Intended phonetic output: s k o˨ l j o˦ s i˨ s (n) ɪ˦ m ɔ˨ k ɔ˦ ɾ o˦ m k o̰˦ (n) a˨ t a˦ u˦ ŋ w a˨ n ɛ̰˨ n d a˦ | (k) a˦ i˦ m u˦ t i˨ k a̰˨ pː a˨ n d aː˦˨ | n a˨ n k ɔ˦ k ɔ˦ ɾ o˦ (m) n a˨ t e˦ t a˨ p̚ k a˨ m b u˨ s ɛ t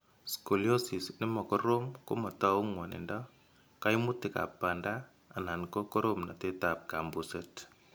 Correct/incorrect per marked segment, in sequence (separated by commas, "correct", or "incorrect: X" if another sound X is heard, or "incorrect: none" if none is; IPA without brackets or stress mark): correct, incorrect: m, correct, correct